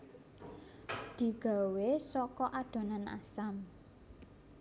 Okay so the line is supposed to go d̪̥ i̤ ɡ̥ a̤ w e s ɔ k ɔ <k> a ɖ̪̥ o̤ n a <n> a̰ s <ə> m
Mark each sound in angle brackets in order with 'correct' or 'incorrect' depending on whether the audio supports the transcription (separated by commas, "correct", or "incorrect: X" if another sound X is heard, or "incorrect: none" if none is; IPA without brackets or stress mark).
incorrect: ʔ, correct, incorrect: a